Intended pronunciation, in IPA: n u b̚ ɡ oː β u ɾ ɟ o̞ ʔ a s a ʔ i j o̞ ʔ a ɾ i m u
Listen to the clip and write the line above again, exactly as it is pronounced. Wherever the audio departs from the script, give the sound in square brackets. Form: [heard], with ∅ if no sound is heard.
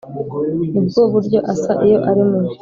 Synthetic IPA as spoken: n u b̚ ɡ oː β u ɾ ɟ o̞ ʔ a s a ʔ i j o̞ ʔ a ɾ i m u